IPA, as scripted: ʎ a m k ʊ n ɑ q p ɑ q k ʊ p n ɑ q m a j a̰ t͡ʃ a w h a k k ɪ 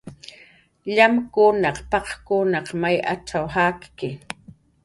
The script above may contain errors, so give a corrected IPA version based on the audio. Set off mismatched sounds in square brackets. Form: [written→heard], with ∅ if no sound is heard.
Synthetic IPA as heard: ʎ a m k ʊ n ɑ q p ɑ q k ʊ [p→∅] n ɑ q m a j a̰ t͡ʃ a w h a k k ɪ